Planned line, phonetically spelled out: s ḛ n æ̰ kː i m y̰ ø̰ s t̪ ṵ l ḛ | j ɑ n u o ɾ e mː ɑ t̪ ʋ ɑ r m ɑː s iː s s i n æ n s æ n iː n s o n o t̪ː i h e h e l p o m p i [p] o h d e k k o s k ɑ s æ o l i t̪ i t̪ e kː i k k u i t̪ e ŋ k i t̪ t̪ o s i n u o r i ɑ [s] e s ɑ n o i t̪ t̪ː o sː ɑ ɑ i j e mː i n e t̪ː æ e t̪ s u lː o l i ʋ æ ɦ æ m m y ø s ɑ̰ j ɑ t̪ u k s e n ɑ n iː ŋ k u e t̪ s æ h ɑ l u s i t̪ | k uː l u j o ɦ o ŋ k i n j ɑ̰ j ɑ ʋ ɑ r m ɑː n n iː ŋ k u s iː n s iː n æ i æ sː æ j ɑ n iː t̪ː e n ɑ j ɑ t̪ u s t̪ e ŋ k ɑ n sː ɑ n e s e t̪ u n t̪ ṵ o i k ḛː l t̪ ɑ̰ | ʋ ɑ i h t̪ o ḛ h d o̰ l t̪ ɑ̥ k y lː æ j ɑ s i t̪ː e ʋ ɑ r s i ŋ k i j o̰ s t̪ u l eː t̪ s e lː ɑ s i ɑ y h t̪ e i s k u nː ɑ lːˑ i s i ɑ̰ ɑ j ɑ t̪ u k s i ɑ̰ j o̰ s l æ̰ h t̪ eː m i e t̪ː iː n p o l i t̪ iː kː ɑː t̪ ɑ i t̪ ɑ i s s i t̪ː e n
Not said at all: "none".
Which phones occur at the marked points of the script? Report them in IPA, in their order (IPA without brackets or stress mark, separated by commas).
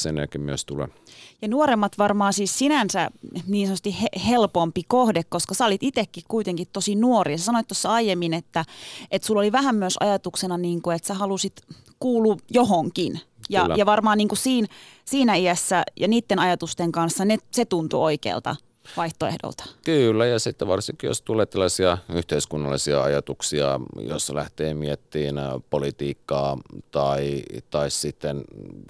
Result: k, s